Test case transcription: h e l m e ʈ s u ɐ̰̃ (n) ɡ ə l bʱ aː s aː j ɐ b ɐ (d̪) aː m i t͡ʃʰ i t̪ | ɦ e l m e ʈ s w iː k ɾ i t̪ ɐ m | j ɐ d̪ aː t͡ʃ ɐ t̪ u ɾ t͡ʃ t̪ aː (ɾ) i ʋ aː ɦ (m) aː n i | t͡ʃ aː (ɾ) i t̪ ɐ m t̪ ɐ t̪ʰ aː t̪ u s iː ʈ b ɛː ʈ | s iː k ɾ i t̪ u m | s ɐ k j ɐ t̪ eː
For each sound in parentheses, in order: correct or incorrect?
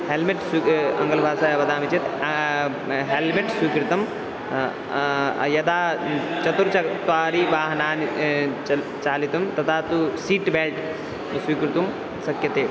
incorrect: ŋ, correct, correct, incorrect: n, incorrect: l

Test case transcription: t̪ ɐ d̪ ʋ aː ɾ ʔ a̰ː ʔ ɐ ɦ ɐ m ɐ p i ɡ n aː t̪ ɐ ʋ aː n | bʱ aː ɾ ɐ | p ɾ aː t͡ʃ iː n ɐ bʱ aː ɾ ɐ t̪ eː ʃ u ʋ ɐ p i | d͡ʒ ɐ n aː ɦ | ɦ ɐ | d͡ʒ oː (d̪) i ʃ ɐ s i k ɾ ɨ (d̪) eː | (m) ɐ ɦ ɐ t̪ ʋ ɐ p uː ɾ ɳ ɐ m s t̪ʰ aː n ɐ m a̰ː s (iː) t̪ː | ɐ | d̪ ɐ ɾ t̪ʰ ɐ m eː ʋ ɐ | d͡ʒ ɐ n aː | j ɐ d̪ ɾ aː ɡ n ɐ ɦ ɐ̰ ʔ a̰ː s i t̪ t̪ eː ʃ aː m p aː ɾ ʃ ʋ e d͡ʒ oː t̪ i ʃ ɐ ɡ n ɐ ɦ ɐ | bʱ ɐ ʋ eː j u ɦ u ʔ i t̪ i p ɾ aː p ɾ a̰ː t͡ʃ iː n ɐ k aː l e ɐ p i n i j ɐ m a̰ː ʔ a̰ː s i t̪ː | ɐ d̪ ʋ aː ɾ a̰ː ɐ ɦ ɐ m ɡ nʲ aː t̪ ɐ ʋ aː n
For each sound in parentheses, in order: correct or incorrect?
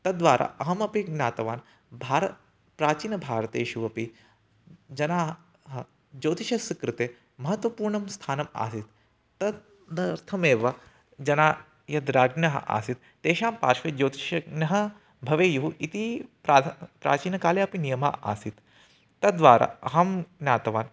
incorrect: t̪, incorrect: t̪, correct, incorrect: i

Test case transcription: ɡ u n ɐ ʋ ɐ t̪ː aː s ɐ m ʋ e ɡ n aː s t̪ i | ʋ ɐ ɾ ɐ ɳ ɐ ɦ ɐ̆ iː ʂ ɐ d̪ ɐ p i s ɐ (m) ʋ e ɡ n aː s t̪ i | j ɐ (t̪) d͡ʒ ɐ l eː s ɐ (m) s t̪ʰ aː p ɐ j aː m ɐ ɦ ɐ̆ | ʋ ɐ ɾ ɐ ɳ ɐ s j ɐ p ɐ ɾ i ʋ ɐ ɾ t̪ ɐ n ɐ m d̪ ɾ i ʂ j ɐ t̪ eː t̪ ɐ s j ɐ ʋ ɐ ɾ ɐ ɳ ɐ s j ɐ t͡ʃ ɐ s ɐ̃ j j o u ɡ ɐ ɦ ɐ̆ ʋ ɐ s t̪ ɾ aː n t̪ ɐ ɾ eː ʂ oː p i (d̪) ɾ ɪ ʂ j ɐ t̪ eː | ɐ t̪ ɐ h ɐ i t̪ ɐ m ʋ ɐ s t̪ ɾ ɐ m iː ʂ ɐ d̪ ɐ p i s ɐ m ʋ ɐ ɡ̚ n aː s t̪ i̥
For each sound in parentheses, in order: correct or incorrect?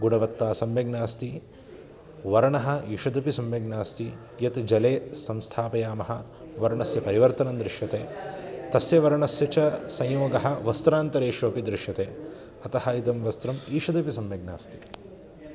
correct, correct, correct, correct

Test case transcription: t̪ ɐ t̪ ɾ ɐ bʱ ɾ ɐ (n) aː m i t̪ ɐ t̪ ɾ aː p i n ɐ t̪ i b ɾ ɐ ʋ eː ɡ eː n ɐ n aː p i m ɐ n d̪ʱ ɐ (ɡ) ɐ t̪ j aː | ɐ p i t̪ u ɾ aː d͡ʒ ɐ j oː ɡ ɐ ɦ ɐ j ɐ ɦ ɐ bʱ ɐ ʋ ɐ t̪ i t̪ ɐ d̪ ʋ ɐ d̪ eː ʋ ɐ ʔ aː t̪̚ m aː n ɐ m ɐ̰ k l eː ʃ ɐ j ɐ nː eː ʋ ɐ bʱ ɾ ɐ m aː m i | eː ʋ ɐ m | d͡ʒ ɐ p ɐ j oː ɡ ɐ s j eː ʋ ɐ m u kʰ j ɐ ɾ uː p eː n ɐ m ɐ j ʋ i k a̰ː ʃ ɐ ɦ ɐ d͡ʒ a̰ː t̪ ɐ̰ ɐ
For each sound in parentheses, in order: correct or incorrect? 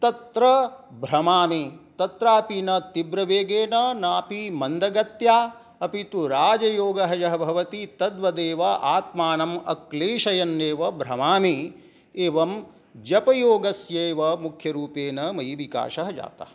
incorrect: m, correct

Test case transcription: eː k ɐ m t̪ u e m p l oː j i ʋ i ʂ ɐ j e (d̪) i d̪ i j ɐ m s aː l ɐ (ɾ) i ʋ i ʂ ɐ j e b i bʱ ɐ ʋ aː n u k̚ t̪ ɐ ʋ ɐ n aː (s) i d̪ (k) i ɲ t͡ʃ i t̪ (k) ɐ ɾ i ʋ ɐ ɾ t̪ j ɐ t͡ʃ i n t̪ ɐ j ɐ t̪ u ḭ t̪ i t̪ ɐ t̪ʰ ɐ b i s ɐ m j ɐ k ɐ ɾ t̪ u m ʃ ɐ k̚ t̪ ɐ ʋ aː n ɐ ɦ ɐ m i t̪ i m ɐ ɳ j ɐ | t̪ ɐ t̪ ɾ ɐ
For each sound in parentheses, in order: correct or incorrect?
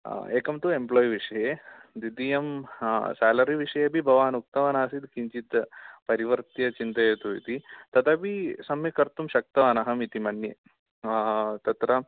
correct, correct, correct, correct, incorrect: p

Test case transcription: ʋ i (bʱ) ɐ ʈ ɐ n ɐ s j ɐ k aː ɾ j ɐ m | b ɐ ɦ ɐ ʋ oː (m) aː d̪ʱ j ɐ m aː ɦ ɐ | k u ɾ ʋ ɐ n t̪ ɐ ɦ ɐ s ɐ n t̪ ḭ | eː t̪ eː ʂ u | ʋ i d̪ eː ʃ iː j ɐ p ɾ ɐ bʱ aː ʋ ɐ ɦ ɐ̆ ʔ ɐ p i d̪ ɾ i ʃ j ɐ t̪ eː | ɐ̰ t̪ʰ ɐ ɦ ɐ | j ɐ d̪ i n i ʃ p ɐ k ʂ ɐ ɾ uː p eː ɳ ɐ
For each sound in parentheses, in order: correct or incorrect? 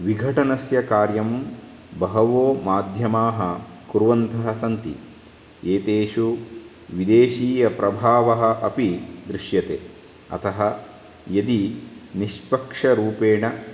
incorrect: ɡʱ, correct

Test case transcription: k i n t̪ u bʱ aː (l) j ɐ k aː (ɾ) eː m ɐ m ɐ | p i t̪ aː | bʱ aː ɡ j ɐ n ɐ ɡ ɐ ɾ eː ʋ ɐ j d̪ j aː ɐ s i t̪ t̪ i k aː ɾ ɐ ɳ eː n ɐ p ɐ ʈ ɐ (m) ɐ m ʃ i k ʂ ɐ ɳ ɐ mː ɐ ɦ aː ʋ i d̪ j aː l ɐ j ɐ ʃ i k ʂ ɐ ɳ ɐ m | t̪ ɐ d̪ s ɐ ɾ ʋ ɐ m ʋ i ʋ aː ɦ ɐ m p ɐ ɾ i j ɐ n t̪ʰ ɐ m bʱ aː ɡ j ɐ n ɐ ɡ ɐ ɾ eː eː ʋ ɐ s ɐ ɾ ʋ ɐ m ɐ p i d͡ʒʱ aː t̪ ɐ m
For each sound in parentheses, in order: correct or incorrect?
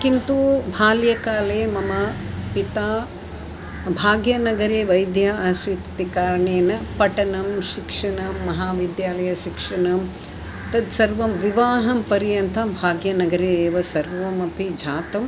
correct, incorrect: l, incorrect: n

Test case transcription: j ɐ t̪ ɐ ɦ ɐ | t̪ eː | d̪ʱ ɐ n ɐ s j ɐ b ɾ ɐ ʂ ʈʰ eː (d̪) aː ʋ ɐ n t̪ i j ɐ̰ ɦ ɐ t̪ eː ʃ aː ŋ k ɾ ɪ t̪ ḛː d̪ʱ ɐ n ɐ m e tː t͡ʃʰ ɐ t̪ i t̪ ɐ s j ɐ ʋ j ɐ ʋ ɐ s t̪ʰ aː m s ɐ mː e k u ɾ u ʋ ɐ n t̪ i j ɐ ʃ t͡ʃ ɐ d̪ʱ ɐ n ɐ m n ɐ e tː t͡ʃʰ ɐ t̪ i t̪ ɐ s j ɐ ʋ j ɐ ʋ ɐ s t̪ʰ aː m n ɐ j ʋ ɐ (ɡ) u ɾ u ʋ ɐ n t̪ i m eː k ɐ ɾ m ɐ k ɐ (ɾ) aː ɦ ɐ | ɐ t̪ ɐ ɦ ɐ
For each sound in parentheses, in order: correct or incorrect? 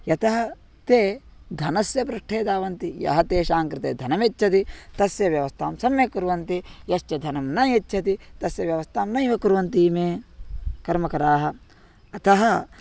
correct, incorrect: k, correct

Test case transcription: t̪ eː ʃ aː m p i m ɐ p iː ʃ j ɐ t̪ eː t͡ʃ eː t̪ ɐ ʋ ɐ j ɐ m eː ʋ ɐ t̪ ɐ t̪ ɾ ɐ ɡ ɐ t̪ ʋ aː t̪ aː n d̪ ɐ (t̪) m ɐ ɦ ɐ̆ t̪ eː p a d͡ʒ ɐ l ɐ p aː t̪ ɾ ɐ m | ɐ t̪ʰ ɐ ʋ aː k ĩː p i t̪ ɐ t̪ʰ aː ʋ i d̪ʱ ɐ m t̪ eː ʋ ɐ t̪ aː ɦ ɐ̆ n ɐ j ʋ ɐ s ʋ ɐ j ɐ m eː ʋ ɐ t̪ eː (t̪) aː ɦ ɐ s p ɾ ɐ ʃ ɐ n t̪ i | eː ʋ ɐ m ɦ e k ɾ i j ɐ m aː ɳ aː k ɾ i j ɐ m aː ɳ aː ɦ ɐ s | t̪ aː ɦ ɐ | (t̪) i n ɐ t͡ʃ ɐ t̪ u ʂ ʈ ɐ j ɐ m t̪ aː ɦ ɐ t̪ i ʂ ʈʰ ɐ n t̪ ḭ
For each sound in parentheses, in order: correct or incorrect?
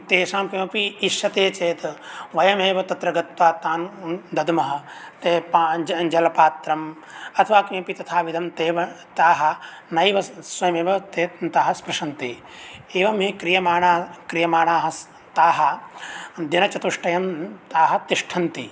incorrect: d̪, correct, incorrect: d̪

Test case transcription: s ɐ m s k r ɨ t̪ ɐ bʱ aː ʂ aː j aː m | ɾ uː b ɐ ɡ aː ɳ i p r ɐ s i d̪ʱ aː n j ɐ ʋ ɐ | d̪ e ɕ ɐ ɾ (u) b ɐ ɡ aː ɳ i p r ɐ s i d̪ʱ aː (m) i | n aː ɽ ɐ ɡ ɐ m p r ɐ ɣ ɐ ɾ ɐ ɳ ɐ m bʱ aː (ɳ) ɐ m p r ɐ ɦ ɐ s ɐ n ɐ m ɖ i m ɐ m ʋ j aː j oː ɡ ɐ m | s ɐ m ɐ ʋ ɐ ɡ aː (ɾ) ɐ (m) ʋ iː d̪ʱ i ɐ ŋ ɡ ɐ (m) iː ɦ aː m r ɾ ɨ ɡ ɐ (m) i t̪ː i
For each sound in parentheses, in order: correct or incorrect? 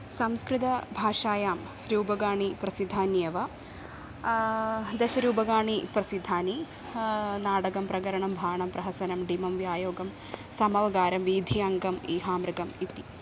incorrect: uː, incorrect: n, correct, correct, correct, correct, correct

